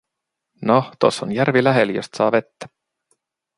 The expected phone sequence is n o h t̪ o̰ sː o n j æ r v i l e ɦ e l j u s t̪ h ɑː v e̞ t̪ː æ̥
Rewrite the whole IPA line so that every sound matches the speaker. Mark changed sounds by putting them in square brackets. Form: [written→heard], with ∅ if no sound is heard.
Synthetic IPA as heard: n o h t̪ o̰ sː o n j æ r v i l [e→æ] ɦ e l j [u→o] s t̪ [h→s] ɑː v e̞ t̪ː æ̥